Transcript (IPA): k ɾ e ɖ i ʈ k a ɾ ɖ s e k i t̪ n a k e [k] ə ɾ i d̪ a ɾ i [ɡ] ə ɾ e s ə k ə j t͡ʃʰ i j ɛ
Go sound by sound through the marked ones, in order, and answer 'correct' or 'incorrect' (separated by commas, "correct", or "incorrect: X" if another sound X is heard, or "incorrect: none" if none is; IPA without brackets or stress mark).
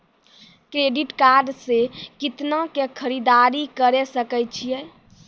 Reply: incorrect: kʰ, incorrect: k